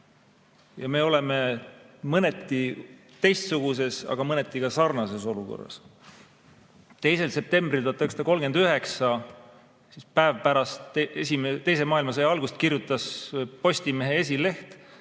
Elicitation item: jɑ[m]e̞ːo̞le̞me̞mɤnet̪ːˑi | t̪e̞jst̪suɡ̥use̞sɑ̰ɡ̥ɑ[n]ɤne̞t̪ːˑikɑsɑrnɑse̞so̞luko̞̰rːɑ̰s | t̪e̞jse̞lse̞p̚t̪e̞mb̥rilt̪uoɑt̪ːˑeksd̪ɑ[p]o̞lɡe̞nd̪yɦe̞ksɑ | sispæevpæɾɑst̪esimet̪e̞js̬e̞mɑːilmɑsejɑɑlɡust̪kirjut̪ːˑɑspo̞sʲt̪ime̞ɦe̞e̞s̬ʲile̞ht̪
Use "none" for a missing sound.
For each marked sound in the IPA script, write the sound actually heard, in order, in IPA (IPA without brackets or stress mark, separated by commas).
m, m, k